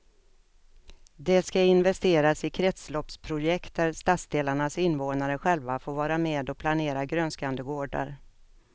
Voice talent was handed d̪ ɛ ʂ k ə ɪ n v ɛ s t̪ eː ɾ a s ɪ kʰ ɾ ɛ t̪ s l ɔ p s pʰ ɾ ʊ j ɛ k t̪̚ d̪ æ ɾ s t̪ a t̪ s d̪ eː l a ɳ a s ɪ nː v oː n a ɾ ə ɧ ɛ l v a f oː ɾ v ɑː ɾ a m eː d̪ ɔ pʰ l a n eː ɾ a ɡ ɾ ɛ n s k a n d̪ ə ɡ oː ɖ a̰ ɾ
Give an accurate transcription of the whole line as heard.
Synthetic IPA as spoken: d̪ ɛ s k a ɪ n v ɛ s t̪ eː ɾ a s ɪ kʰ ɾ ɛ t̪ s l ɔ p s pʰ ɾ ʊ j ɛ k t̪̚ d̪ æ ɾ s t̪ a t̪ s d̪ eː l a ɳ a s ɪ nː v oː n a ɾ ə ɧ ɛ l v a f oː ɾ v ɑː ɾ a m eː d̪ ɔ pʰ l a n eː ɾ a ɡ ɾ œ n s k a n d̪ ə ɡ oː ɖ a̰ ɾ